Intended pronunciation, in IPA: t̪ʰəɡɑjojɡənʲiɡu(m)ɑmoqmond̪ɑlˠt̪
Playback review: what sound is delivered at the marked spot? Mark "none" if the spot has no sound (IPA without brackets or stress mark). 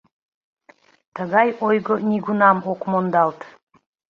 n